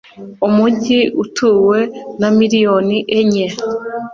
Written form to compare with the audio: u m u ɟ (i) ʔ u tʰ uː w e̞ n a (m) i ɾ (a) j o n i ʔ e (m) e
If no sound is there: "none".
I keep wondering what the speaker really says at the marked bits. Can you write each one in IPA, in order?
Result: i, m, i, ɲ

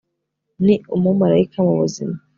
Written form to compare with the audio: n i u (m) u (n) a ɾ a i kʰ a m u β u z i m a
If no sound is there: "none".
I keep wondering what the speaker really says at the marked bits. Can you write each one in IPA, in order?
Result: m, m

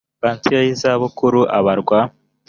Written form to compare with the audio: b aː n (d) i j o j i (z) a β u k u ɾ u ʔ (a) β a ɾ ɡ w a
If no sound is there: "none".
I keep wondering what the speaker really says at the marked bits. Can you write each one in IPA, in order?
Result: t, z, a

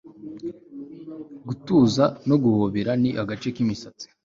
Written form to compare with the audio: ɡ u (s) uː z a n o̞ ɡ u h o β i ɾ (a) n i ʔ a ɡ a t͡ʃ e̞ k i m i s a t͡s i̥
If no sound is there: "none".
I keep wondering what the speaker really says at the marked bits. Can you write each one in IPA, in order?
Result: t, a

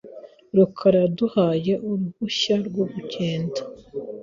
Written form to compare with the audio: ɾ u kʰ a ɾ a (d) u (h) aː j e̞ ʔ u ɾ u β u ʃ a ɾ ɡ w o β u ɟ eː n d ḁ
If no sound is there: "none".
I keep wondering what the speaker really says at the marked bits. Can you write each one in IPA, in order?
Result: d, h

